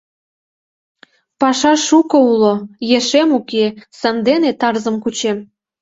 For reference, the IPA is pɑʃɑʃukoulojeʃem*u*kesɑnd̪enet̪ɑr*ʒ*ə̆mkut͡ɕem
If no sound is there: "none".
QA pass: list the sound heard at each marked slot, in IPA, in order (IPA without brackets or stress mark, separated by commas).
u, z